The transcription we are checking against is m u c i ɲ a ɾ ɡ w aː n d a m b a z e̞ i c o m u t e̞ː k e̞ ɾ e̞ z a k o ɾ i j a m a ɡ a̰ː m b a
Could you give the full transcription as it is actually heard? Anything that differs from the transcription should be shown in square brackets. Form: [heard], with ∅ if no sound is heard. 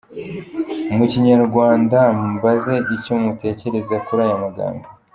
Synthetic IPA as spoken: m u c i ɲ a ɾ ɡ w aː n d a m b a z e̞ i c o m u t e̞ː [c] e̞ ɾ e̞ z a k [u] ɾ [a] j a m a ɡ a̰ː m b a